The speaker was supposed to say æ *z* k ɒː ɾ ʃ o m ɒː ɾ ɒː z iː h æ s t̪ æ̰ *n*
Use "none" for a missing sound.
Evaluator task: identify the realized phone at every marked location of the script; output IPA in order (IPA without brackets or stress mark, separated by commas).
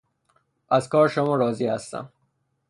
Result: z, m